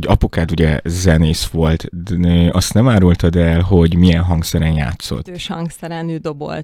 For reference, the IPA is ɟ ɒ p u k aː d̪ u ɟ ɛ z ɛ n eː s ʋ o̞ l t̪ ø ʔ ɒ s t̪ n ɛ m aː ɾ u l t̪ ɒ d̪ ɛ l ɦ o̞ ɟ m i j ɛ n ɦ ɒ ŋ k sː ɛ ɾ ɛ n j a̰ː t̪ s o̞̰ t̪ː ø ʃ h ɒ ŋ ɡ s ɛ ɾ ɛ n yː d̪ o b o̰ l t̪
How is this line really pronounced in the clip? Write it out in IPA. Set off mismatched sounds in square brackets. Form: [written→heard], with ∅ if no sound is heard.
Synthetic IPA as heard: ɟ ɒ p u k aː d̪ u ɟ ɛ z ɛ n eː s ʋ o̞ l t̪ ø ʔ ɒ s t̪ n ɛ m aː ɾ u l t̪ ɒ d̪ ɛ l ɦ o̞ ɟ m i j ɛ n ɦ ɒ ŋ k [sː→s] ɛ ɾ ɛ n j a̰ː t̪ s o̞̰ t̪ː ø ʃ h ɒ ŋ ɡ s ɛ ɾ ɛ n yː d̪ o b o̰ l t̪